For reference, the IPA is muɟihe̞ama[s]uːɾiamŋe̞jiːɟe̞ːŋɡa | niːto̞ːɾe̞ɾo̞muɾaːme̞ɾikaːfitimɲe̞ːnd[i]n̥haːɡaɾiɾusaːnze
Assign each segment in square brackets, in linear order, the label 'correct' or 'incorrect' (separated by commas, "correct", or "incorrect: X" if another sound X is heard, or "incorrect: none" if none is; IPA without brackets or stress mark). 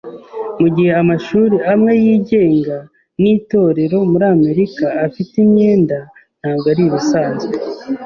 incorrect: ʃ, incorrect: a